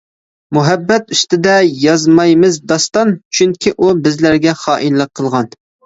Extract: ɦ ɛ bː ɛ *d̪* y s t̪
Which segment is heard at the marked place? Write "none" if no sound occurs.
t̪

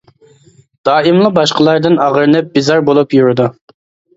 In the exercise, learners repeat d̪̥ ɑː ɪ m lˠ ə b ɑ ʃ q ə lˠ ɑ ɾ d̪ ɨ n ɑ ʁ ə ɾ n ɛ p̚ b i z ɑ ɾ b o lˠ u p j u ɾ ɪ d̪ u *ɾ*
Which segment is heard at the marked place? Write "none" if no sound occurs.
none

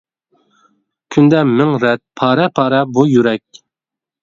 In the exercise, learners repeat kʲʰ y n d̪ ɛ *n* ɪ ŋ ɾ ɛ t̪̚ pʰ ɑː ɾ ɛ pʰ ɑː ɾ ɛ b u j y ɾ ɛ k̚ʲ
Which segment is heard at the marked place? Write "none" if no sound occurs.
m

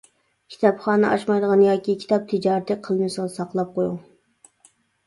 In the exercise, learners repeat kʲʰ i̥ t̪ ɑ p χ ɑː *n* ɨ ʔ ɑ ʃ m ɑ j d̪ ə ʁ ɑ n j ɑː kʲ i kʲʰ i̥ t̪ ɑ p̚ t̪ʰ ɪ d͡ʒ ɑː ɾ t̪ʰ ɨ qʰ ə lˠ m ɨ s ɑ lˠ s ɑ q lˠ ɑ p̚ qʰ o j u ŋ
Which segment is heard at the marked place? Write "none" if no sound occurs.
n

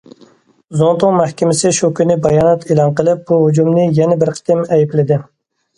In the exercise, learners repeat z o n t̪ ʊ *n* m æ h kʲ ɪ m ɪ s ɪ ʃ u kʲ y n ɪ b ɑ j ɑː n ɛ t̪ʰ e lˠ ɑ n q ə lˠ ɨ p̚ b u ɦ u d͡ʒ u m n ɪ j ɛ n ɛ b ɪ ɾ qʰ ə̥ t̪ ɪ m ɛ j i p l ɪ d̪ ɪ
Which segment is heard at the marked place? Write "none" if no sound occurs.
ŋ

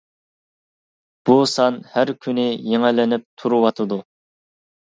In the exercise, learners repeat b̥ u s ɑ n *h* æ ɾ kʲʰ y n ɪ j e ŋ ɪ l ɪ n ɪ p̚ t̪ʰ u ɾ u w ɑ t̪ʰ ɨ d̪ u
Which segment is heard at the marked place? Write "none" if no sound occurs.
h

